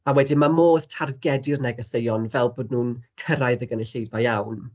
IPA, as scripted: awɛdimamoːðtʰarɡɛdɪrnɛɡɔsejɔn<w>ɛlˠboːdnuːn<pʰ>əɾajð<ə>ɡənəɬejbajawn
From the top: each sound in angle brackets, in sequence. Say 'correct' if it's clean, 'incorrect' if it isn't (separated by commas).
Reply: incorrect, incorrect, correct